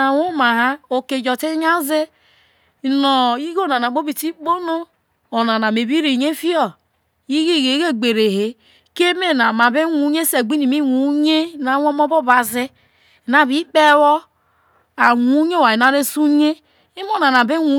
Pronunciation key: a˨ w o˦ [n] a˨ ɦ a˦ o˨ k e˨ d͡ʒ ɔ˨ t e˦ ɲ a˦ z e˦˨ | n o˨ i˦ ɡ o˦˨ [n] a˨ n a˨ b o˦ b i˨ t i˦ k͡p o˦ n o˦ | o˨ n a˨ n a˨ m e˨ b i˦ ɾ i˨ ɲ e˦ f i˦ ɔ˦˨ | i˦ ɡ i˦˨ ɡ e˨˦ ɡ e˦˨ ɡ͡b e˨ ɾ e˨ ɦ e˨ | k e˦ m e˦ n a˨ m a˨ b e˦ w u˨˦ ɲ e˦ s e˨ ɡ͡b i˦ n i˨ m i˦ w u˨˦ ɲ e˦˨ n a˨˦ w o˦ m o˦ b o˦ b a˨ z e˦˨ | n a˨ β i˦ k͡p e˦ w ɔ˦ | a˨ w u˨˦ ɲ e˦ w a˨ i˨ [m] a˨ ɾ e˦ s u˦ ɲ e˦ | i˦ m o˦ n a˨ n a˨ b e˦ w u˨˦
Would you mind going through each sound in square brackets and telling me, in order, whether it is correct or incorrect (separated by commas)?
incorrect, correct, incorrect